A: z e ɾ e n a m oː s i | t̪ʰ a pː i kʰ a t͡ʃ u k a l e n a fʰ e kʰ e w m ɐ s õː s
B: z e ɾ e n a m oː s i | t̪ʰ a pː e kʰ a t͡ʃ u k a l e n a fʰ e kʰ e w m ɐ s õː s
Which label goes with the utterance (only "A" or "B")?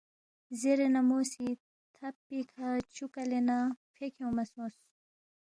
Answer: A